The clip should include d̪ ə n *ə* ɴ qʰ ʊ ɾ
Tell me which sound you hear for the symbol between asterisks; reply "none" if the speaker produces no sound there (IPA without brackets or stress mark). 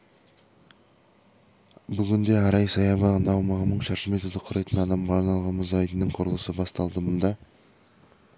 ə